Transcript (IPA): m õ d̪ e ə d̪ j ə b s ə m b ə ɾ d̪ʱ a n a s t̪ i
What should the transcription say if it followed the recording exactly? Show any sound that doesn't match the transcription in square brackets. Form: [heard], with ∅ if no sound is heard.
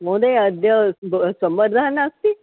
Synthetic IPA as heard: m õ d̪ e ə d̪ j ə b s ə m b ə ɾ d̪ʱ a n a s t̪ i